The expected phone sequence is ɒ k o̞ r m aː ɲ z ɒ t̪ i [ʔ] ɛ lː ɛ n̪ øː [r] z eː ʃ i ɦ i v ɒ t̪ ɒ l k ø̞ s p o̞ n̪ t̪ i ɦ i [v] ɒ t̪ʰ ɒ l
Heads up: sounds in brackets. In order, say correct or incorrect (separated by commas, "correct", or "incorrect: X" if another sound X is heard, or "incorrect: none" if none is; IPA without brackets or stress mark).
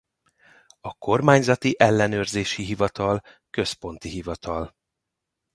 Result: correct, correct, correct